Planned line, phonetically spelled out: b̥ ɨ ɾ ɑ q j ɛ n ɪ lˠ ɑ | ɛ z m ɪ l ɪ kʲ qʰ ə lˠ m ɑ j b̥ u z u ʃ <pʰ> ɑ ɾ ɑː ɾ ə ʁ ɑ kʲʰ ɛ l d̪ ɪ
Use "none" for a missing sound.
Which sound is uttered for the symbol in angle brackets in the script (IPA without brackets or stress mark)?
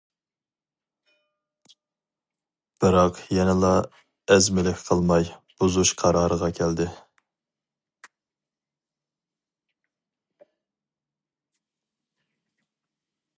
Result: qʰ